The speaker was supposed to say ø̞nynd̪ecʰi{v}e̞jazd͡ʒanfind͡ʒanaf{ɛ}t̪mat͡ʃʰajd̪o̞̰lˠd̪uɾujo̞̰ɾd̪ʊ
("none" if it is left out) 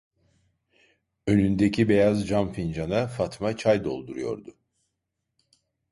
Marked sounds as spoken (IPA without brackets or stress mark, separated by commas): b, a